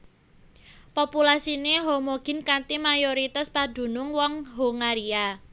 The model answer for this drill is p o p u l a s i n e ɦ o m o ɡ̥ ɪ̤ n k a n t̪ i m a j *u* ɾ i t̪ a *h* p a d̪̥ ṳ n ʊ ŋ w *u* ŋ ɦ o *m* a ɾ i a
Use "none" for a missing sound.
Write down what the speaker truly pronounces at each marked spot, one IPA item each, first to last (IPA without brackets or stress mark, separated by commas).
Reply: o, s, ɔ, ŋ